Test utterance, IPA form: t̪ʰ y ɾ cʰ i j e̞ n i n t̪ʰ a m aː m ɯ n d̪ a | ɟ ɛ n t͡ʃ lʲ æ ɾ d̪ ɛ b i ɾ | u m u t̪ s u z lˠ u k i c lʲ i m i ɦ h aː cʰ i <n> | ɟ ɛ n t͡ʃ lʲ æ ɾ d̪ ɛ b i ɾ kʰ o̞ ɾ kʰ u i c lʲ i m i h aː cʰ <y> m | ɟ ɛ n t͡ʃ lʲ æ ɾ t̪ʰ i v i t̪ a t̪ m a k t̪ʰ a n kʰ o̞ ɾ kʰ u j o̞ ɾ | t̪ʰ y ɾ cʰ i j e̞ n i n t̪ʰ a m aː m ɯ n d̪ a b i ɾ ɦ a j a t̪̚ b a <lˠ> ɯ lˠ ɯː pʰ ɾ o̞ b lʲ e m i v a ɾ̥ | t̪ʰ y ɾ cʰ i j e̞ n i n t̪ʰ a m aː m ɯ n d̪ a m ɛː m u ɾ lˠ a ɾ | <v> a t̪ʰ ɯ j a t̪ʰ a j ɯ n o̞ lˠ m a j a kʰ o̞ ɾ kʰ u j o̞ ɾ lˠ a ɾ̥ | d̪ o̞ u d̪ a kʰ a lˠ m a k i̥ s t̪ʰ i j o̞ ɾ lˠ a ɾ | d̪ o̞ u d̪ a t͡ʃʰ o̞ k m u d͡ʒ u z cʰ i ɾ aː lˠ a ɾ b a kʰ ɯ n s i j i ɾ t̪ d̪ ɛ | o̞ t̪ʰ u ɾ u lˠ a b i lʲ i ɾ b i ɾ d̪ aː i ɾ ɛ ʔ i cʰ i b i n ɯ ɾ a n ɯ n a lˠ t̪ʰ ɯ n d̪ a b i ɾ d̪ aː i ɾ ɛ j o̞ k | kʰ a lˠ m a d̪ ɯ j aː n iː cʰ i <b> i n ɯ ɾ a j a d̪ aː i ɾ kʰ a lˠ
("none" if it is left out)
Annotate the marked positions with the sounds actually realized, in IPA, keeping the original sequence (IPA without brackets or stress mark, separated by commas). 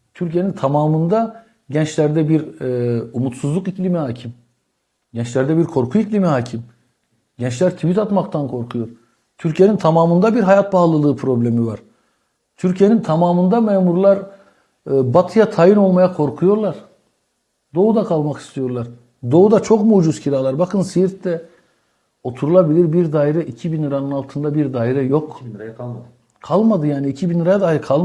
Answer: m, i, lˠ, b, b